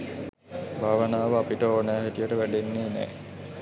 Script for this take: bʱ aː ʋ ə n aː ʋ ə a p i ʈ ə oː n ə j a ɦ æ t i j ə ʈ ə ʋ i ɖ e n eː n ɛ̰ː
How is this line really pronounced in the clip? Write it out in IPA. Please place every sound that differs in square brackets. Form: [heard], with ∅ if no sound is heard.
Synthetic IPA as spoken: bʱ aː ʋ ə n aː ʋ ə a p i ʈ ə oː n ə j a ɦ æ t i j ə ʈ ə ʋ [æ] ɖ e [nː] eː n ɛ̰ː